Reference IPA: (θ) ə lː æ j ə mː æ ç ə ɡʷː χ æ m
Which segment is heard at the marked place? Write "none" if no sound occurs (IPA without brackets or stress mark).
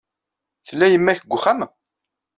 θ